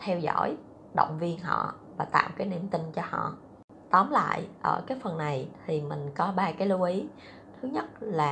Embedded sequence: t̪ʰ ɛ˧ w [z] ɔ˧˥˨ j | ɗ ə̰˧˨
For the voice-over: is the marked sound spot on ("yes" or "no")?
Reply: yes